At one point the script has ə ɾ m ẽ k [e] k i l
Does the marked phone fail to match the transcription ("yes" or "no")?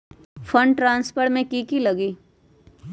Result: yes